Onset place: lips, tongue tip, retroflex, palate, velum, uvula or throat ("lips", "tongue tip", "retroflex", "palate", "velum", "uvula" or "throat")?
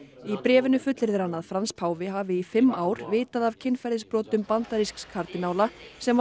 lips